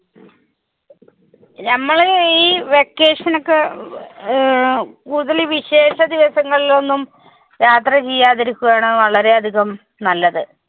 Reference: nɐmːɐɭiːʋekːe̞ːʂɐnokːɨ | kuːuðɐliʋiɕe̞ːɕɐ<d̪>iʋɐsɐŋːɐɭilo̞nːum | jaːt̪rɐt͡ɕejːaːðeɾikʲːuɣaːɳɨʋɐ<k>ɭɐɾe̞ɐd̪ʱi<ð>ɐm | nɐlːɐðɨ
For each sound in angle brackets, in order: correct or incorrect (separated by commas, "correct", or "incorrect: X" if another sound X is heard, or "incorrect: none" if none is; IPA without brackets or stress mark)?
correct, incorrect: none, incorrect: ɣ